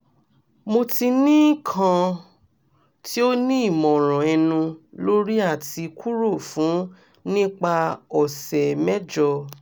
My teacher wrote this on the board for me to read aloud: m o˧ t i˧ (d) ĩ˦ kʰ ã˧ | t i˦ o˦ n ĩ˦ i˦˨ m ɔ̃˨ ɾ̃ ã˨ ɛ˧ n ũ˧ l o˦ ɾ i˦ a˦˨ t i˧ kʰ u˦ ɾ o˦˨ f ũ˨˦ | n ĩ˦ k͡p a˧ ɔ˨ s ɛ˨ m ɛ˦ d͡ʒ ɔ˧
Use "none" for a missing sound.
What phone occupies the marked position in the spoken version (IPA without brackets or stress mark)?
n